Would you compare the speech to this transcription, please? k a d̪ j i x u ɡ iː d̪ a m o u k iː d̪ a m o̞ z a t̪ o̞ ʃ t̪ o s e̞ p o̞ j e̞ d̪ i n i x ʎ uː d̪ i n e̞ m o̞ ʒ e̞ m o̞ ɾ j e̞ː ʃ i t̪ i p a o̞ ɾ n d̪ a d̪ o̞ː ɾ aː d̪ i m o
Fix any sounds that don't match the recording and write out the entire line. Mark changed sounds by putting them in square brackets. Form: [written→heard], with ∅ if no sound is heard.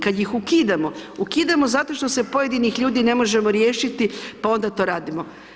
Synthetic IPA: k a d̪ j i x u [ɡ→k] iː d̪ a m o u k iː d̪ a m o̞ z a t̪ o̞ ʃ t̪ o s e̞ p o̞ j e̞ d̪ i n i x ʎ uː d̪ i n e̞ m o̞ ʒ e̞ m o̞ ɾ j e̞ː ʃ i t̪ i p a o̞ [ɾ→∅] n d̪ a [d̪→t̪] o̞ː ɾ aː d̪ i m o